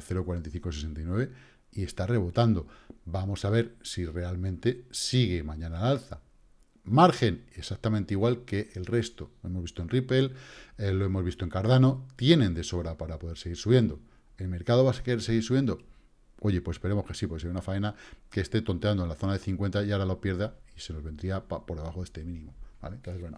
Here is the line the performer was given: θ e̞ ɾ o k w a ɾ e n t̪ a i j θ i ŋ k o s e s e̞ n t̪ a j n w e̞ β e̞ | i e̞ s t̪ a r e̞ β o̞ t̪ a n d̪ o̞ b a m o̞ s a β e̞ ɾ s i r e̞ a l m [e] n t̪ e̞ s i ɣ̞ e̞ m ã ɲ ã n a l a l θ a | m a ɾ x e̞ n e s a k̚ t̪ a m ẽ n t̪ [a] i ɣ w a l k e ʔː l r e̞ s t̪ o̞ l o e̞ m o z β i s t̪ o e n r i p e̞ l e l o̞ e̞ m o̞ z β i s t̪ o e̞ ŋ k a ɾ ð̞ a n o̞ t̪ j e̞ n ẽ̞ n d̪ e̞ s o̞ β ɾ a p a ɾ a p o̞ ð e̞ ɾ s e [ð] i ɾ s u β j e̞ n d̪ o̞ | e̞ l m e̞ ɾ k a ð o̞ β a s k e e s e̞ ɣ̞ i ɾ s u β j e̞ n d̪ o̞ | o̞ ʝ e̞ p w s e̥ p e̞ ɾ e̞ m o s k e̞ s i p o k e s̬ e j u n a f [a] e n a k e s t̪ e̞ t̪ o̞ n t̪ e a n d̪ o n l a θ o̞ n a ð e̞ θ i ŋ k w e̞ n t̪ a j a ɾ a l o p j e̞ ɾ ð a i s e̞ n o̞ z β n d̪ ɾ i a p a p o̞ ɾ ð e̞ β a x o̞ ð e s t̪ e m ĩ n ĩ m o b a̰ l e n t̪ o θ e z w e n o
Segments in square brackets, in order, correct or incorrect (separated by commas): incorrect, incorrect, incorrect, correct